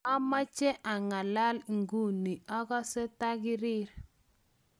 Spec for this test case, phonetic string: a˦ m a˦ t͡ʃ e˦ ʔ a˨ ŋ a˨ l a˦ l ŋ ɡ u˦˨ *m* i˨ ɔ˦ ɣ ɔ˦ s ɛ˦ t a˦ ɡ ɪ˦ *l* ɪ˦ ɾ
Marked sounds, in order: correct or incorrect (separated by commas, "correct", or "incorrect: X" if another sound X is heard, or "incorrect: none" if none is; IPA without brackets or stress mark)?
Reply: incorrect: n, incorrect: ɾ